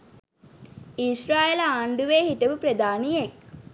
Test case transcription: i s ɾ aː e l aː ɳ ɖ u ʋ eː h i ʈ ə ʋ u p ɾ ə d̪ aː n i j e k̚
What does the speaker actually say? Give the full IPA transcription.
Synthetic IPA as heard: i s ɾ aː e l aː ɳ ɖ u ʋ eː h i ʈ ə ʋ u p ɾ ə d̪ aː n i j e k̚